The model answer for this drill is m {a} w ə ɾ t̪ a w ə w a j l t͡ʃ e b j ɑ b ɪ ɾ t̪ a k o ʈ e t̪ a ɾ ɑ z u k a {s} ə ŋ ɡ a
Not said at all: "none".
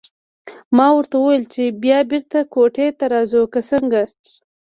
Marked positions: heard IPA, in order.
ɑ, s

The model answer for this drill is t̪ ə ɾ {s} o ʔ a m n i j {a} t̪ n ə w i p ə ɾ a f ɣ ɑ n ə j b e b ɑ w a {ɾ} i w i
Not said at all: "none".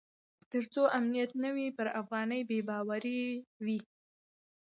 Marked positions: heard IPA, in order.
t͡s, a, ɾ

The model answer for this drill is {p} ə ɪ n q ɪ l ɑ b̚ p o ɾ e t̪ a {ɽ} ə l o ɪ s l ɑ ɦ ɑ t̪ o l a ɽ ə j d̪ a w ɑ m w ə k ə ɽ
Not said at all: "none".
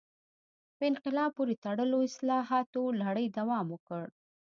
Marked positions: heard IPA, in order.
p, ɽ

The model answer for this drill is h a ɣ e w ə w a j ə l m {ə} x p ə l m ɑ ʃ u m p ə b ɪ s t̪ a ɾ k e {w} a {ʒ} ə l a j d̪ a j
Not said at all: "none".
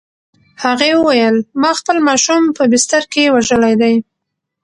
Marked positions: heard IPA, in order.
ɑ, w, ʒ

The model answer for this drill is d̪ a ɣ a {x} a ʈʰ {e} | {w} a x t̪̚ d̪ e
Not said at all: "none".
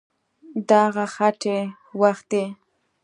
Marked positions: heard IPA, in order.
x, e, w

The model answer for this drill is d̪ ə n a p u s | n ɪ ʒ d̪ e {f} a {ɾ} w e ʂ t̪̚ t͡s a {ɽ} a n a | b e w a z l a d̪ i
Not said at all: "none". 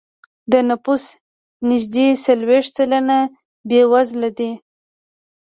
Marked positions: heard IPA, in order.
s, l, l

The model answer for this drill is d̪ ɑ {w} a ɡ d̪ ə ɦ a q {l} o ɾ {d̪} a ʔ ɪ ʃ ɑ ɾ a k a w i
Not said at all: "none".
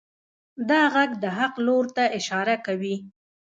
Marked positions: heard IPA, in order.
ɣ, l, t̪

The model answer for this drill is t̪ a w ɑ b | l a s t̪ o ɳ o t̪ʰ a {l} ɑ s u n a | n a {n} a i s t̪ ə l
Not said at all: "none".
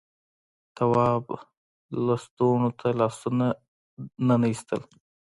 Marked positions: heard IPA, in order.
l, n

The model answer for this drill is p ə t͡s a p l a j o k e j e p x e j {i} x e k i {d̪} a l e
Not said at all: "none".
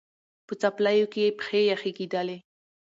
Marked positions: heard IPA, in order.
a, d̪

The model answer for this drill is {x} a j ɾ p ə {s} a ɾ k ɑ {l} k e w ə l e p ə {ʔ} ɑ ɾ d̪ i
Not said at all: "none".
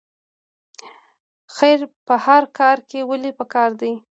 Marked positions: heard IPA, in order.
x, h, ɾ, k

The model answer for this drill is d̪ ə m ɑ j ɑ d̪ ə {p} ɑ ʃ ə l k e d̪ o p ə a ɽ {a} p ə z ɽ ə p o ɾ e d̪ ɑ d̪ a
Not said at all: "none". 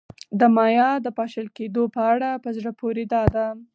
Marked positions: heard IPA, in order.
p, a

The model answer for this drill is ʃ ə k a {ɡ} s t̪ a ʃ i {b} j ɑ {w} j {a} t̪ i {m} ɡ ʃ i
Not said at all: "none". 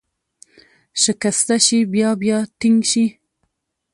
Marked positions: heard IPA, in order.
none, b, b, ɑ, ŋ

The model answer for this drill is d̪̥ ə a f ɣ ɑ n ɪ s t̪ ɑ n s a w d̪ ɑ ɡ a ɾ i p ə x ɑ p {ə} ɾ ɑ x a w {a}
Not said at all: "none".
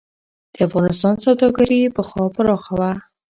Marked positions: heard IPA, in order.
ə, a

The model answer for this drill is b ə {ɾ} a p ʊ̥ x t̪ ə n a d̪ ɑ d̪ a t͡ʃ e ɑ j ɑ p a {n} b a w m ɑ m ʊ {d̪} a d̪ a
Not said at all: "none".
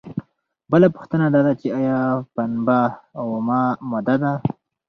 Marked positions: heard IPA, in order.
l, n, d̪

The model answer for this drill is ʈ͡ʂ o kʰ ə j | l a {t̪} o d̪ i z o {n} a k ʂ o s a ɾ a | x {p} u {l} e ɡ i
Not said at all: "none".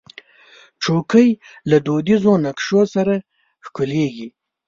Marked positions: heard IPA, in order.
d̪, n, k, l

